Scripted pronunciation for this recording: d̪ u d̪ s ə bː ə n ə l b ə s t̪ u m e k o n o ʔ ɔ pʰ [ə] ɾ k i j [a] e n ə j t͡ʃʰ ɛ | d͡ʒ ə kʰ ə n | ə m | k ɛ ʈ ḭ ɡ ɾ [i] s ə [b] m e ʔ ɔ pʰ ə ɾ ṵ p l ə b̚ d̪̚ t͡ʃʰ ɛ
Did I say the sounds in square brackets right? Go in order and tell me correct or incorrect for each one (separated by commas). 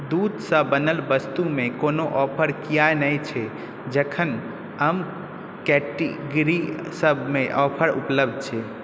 correct, correct, correct, correct